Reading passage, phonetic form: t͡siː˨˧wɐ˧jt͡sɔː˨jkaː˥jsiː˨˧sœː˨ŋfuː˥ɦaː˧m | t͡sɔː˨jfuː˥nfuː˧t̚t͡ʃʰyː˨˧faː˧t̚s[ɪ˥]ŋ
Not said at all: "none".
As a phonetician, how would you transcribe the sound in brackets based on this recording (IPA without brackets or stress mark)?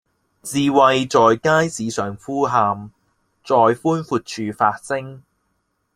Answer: ɪ˥